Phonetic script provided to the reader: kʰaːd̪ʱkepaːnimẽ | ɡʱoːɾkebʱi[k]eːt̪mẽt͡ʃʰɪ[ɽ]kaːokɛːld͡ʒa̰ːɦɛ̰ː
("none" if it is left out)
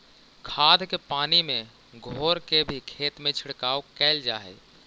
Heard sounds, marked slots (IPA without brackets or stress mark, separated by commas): kʰ, ɽ